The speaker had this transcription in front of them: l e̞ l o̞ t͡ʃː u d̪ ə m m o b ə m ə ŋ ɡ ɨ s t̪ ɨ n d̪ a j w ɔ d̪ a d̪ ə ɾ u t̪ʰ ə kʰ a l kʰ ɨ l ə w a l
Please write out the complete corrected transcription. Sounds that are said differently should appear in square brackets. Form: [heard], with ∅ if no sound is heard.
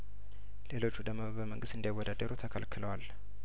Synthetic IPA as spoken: l e̞ l o̞ t͡ʃː u d̪ ə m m o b ə m ə ŋ ɡ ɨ s t̪ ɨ n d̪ a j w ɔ d̪ a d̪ ə ɾ u t̪ʰ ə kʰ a l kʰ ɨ l ə w a l